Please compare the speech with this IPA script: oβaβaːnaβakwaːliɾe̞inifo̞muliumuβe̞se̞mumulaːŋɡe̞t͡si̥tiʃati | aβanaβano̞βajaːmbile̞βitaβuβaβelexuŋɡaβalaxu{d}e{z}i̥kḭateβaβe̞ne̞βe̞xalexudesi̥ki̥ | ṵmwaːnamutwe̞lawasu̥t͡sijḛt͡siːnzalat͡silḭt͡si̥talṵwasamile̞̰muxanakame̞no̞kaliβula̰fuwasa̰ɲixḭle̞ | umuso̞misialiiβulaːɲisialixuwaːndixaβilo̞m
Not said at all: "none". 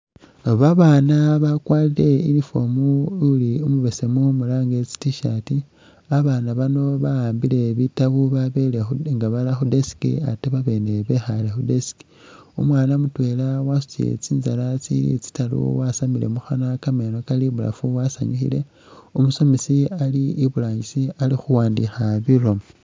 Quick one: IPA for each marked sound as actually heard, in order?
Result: d, s

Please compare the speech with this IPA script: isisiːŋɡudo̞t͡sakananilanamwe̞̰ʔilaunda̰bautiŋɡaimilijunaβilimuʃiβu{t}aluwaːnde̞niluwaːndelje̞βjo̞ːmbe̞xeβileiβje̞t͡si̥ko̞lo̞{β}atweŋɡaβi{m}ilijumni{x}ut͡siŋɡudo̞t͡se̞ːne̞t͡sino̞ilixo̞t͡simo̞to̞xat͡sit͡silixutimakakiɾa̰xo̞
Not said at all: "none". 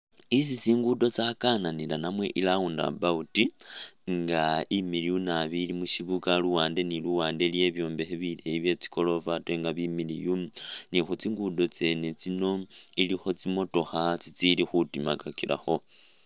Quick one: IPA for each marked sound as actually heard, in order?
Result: k, v, m, x

